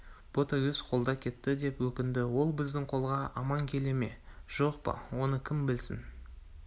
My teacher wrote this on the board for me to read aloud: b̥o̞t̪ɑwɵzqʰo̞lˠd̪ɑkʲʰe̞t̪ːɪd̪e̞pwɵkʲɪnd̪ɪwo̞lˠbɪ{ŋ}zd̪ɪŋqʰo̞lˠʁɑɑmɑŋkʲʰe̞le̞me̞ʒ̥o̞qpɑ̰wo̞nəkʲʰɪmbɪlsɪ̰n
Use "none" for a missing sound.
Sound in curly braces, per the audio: none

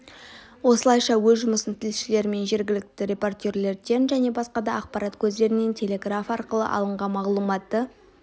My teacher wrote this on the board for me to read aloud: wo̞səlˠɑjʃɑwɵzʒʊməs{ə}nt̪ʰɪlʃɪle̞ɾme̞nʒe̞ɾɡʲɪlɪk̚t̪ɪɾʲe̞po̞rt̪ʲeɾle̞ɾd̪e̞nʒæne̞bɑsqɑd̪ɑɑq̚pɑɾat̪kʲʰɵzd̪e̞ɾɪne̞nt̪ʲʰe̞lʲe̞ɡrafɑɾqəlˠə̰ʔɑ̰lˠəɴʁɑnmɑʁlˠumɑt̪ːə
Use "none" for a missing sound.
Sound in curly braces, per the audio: ə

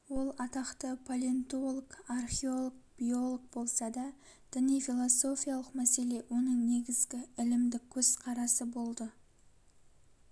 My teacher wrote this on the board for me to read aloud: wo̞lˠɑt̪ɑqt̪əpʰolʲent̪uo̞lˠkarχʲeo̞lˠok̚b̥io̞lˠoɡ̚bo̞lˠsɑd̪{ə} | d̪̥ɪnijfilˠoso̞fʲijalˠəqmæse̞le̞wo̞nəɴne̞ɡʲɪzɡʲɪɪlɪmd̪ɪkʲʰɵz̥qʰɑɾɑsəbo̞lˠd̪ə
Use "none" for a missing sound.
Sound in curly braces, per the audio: ɑ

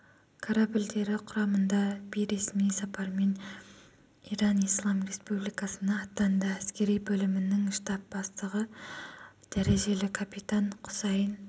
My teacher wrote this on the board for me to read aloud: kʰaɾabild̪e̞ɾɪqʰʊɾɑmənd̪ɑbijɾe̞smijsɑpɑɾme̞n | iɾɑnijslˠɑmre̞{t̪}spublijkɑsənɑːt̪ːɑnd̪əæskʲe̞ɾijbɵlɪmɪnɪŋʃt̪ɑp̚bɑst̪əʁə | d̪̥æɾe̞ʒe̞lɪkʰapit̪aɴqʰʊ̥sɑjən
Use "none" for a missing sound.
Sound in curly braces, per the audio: none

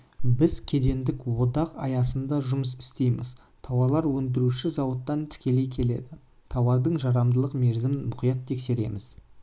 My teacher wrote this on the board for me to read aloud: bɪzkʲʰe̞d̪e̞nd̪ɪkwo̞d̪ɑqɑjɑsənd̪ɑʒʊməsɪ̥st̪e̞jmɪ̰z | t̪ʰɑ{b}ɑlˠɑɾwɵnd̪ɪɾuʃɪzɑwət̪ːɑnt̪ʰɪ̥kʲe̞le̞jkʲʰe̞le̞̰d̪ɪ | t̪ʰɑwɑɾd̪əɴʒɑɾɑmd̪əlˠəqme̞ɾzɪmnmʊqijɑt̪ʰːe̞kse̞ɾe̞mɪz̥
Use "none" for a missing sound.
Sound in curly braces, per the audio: w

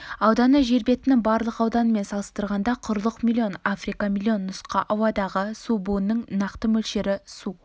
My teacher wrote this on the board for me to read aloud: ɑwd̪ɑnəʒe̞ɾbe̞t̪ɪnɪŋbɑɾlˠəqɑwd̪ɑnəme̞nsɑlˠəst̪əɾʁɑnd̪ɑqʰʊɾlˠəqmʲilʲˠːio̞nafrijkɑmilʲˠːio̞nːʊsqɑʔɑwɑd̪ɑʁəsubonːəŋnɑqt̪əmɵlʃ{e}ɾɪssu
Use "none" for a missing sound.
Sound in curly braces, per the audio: e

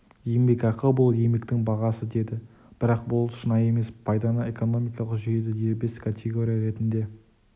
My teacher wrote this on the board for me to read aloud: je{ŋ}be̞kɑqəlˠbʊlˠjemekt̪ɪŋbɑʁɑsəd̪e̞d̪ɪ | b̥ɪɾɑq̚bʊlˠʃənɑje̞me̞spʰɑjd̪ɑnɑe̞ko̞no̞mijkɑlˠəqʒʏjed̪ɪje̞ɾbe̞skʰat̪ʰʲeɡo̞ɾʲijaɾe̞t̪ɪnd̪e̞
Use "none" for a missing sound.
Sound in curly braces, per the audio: m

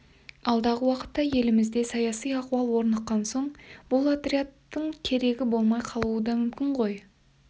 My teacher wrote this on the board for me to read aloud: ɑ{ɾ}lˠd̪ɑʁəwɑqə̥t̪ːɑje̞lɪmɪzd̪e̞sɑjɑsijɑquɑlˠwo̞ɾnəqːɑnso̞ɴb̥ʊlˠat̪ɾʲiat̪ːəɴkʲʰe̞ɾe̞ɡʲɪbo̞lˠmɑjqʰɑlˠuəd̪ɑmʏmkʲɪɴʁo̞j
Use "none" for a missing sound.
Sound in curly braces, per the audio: none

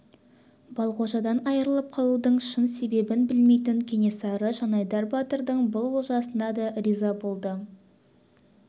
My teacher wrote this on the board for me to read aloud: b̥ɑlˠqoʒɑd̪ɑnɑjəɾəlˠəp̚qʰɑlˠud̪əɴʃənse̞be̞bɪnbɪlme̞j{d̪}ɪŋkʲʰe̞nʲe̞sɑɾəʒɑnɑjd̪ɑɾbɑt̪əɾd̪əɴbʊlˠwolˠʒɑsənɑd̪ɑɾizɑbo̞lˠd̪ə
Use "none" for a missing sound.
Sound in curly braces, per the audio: t̪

